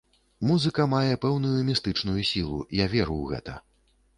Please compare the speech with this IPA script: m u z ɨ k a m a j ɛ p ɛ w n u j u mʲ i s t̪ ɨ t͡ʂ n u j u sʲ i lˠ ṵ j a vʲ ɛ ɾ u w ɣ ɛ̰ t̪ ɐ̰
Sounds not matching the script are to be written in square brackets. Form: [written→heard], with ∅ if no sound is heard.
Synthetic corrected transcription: m u z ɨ k [a→ɐ] m a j ɛ p ɛ w n u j u mʲ i s t̪ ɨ t͡ʂ n u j u sʲ i lˠ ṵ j a vʲ ɛ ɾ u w ɣ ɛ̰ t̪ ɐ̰

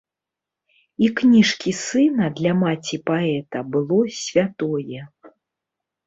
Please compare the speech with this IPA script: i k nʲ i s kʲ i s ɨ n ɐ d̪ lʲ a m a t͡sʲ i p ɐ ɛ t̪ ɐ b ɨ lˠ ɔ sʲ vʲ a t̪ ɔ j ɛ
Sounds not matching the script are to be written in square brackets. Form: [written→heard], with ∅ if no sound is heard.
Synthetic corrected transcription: i k nʲ i [s→ʂ] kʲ i s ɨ n ɐ d̪ lʲ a m a t͡sʲ i p [ɐ→a] ɛ t̪ ɐ b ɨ lˠ ɔ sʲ vʲ a t̪ ɔ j ɛ

